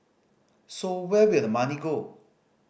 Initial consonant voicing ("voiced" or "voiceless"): voiceless